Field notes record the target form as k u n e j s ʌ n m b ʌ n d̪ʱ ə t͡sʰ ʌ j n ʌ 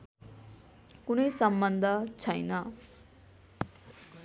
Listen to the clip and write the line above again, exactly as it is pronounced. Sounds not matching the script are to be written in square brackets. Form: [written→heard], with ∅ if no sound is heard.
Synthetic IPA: k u n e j s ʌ [n→∅] m b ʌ n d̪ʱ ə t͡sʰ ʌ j n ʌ